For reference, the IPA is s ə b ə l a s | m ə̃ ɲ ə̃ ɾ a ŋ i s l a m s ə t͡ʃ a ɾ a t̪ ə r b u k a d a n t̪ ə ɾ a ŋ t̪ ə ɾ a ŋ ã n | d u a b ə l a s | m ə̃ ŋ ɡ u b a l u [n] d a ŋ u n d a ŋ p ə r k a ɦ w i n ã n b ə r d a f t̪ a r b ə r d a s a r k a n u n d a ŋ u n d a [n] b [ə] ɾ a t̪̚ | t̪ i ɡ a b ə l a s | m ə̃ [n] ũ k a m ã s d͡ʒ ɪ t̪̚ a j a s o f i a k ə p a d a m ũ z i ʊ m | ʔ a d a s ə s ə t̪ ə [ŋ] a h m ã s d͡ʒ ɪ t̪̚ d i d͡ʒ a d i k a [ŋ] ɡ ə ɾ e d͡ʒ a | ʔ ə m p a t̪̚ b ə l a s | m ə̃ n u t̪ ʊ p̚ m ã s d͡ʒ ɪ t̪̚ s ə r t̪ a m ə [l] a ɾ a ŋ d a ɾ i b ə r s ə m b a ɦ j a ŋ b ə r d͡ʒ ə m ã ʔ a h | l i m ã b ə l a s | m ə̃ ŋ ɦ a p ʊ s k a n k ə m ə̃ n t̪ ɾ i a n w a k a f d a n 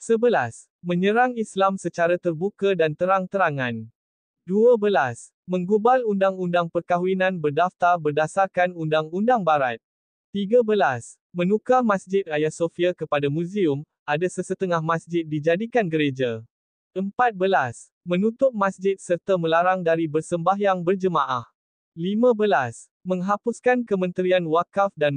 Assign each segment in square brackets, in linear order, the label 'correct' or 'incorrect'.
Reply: correct, incorrect: ŋ, incorrect: a, correct, correct, incorrect: n, correct

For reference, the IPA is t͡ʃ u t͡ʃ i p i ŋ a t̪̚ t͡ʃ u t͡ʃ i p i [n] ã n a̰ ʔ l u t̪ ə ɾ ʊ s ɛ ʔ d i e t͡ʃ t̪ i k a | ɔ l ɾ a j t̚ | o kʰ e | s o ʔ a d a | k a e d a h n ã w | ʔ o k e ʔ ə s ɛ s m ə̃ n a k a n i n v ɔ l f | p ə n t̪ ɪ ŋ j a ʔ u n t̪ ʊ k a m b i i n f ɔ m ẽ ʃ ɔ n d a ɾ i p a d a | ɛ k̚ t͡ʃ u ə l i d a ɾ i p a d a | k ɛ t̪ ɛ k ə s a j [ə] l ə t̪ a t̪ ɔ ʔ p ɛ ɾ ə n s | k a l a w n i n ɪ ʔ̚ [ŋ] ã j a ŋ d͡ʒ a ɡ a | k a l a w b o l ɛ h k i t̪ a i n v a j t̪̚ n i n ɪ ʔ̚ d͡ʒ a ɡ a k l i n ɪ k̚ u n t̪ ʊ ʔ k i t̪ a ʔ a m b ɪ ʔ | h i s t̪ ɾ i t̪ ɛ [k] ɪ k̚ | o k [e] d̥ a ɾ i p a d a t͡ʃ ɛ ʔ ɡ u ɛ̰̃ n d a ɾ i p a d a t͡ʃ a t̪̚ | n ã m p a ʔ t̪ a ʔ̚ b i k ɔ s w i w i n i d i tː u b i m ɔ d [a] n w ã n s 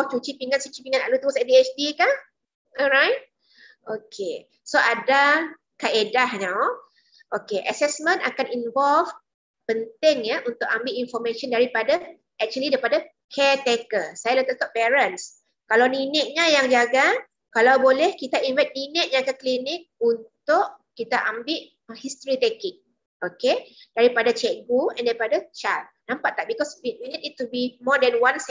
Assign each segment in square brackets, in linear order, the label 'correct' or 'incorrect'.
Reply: incorrect: ŋ, incorrect: a, incorrect: ɲ, correct, correct, incorrect: ɛ

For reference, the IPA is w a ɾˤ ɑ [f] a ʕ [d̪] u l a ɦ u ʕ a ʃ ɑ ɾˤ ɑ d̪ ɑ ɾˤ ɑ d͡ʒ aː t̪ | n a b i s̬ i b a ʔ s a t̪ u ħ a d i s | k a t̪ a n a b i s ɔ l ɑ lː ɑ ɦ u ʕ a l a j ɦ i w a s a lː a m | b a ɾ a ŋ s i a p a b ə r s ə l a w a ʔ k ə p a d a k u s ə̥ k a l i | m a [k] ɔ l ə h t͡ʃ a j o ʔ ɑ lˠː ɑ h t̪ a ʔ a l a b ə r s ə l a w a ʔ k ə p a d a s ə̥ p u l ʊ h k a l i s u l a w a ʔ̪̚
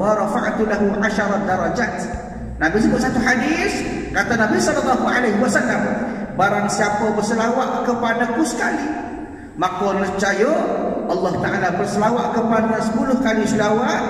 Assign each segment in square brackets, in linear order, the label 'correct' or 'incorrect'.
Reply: correct, incorrect: t̪, correct

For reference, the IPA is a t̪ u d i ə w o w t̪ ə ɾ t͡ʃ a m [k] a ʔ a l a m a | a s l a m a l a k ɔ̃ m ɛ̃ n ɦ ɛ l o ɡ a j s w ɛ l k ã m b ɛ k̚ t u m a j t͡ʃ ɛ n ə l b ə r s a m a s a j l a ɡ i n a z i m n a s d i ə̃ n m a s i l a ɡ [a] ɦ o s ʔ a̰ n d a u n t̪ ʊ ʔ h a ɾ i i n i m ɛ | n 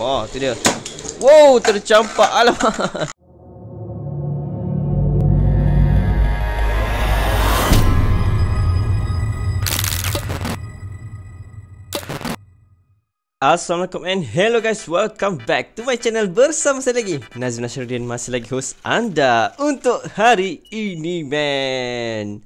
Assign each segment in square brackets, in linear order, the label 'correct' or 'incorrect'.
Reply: incorrect: p, incorrect: i

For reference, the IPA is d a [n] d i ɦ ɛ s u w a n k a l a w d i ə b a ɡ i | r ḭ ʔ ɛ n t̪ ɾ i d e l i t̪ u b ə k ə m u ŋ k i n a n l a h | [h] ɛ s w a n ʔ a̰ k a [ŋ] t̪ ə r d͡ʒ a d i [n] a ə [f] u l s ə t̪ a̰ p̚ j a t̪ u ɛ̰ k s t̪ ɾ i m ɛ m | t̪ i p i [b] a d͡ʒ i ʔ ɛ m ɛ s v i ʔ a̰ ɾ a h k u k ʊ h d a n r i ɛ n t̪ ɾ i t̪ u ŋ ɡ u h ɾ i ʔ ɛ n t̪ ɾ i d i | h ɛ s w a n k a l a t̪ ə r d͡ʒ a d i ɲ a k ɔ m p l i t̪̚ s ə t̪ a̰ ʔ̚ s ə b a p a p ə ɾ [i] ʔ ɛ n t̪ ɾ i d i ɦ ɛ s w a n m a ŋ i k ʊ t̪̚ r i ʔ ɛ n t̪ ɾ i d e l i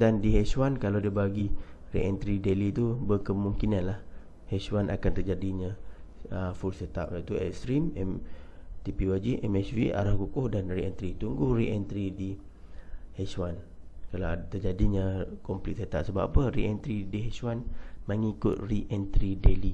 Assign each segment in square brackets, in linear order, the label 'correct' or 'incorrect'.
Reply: correct, correct, incorrect: n, incorrect: ɲ, correct, incorrect: w, correct

